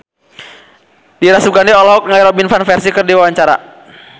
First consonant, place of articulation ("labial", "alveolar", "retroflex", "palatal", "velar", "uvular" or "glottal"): alveolar